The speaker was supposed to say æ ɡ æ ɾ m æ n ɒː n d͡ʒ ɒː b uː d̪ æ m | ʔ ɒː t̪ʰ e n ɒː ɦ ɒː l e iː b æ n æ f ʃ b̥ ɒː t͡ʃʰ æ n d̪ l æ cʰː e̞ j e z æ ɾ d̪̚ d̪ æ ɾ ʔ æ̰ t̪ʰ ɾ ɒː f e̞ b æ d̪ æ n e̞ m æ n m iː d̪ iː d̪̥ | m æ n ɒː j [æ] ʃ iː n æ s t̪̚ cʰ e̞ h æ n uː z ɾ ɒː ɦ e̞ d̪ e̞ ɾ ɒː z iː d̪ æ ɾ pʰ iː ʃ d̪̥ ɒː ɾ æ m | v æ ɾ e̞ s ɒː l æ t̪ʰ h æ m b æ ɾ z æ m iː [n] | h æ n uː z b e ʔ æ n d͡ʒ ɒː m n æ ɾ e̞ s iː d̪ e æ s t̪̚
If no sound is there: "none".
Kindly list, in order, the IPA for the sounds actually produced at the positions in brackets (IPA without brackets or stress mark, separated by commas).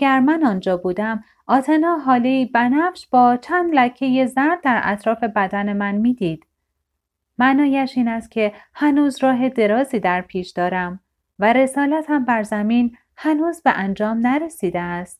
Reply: æ, n